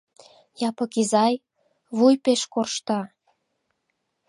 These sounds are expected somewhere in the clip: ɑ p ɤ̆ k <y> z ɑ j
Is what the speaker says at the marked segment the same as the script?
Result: no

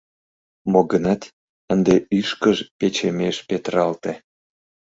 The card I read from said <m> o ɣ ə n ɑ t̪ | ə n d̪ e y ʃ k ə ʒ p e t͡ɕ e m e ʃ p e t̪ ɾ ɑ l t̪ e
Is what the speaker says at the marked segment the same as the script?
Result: yes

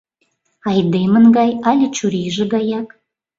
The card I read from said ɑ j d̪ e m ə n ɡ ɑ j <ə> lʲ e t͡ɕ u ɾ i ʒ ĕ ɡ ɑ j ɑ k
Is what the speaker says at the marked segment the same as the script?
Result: no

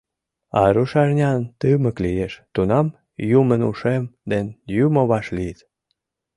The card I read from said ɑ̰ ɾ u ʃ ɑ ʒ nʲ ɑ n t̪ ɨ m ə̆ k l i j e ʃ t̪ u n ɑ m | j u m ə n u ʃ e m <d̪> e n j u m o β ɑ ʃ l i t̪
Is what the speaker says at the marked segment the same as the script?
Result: yes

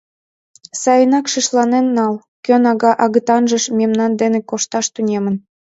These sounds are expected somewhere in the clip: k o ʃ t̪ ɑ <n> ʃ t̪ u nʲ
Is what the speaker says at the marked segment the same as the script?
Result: no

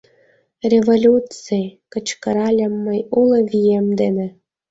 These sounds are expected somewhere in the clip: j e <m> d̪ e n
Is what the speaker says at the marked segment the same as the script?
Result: yes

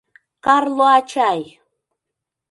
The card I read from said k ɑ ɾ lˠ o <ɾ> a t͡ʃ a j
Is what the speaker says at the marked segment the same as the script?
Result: no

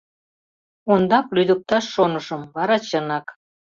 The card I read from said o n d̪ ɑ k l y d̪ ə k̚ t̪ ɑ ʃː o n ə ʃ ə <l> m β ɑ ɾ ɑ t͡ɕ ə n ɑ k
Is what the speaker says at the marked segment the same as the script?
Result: no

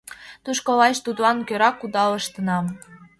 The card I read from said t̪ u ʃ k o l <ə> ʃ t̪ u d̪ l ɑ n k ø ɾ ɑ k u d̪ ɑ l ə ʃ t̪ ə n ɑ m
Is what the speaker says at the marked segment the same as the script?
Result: no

